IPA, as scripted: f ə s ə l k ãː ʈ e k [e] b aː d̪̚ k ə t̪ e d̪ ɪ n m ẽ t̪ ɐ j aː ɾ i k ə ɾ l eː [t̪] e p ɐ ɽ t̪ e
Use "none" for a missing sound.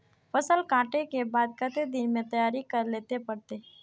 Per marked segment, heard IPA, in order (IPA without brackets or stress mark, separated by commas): e, t̪